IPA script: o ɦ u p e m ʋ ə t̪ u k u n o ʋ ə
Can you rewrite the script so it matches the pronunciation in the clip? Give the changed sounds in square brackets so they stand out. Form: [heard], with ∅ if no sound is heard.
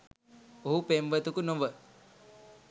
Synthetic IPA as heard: o ɦ u p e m ʋ ə t̪ u k u n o ʋ ə